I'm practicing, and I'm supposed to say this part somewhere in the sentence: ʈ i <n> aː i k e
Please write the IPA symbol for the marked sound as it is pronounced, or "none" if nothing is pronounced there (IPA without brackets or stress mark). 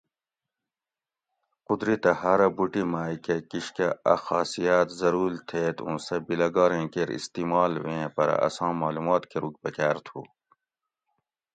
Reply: m